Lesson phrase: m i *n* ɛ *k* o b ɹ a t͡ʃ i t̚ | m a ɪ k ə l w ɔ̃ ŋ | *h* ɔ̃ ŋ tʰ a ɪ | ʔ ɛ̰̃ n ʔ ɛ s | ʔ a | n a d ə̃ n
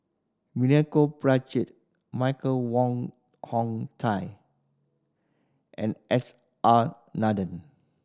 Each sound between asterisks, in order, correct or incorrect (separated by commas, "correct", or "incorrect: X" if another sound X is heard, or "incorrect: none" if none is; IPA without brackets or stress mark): correct, correct, correct